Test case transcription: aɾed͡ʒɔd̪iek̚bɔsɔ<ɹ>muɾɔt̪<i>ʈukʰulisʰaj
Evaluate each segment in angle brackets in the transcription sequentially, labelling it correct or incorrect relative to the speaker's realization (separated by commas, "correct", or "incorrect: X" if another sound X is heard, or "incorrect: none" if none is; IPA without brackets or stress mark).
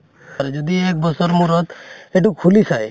incorrect: ɾ, incorrect: e